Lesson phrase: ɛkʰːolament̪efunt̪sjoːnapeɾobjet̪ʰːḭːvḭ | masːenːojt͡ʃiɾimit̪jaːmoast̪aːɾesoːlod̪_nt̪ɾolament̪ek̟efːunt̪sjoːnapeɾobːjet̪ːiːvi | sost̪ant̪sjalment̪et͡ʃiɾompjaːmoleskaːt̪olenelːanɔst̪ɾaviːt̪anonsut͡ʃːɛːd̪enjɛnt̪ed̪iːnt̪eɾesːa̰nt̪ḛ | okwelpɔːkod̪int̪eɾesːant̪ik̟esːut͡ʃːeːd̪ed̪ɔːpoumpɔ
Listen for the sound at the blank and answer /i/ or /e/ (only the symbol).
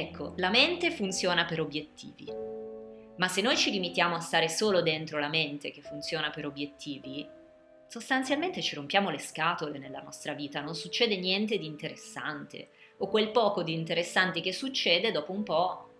e